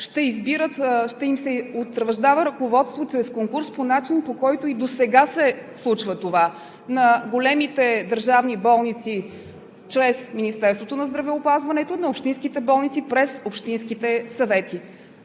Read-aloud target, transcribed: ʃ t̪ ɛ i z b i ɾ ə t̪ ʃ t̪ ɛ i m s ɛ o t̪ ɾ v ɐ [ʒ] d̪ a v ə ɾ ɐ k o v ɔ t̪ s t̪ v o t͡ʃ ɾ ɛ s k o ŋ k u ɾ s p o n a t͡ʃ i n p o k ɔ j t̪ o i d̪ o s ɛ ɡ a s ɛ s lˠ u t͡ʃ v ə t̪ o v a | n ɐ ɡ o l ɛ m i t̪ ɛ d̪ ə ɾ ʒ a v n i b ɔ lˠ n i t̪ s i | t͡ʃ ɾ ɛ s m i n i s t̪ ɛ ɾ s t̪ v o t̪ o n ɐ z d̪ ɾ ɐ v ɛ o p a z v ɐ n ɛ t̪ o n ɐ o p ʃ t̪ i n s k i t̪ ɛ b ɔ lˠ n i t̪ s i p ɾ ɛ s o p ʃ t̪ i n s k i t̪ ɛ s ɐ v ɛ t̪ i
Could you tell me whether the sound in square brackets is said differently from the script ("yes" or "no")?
no